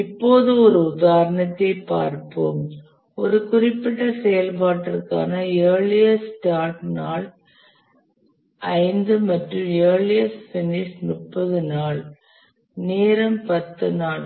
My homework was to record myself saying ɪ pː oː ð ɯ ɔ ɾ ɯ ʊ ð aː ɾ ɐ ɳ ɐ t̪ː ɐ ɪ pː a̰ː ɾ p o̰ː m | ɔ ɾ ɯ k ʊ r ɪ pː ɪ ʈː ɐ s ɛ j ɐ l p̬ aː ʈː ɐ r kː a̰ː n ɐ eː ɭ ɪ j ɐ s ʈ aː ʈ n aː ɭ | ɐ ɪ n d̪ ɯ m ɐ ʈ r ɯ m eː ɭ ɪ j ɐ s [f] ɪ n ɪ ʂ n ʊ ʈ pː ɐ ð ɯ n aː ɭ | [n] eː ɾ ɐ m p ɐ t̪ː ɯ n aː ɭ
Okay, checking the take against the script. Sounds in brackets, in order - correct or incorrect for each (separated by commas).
correct, correct